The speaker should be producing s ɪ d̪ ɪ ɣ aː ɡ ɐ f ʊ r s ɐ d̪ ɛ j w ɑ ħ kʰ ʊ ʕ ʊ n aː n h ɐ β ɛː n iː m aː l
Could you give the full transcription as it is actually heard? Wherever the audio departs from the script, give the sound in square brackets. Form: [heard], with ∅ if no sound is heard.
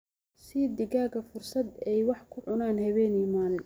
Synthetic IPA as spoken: s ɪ d̪ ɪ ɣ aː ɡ ɐ f ʊ r s ɐ d̪ ɛ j w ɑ ħ kʰ ʊ ʕ ʊ n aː n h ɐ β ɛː n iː m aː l